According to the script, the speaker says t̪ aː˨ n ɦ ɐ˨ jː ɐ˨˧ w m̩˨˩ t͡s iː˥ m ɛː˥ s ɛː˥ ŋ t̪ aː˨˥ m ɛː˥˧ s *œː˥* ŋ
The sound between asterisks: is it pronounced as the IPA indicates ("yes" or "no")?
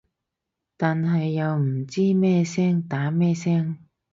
no